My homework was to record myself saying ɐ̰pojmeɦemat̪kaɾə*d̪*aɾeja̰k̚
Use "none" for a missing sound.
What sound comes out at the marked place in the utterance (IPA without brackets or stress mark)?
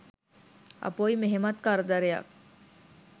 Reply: d̪